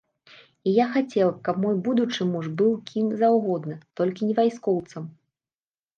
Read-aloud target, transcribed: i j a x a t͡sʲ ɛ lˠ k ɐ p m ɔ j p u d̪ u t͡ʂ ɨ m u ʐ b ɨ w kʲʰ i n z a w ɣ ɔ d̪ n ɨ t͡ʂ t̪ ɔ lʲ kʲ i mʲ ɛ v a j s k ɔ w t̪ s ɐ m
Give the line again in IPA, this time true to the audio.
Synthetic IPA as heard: i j a x a t͡sʲ ɛ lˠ k ɐ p m ɔ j b u d̪ u t͡ʂ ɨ m u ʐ b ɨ w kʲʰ i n z a w ɣ ɔ d̪ n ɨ t̪ ɔ lʲ kʲ i nʲ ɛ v a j s k ɔ w t̪ s ɐ m